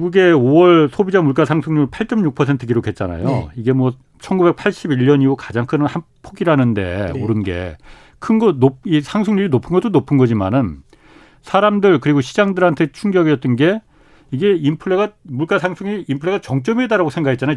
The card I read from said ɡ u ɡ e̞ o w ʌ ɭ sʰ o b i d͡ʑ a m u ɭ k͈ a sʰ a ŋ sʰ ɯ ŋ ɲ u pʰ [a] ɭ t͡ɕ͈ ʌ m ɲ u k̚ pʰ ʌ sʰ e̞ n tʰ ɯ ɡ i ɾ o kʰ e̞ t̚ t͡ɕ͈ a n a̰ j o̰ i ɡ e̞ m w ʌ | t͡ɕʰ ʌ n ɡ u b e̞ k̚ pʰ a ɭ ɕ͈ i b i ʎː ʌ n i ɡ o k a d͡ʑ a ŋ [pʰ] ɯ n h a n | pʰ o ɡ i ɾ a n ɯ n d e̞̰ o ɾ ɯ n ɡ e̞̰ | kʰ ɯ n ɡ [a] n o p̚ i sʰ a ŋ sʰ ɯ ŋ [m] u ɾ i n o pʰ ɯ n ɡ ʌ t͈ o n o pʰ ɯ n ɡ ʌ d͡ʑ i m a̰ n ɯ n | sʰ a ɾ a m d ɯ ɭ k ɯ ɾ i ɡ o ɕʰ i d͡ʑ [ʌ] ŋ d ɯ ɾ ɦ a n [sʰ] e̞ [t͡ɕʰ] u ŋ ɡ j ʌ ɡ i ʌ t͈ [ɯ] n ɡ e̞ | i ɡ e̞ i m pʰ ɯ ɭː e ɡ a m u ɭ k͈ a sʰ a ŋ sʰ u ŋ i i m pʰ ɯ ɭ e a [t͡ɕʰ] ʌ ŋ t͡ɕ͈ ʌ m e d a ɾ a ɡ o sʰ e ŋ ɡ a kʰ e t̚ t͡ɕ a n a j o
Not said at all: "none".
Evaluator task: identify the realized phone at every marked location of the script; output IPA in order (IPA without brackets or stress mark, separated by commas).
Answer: a, kʰ, ʌ, ɲ, a, tʰ, t͡ɕʰ, ɯ, t͡ɕ